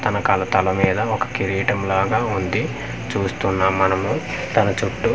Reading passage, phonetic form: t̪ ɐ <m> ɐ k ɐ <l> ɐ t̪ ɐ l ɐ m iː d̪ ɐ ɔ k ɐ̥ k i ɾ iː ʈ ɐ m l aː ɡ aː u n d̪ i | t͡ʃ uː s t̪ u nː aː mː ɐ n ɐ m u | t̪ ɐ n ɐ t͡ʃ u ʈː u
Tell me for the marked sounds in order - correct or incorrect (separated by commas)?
incorrect, correct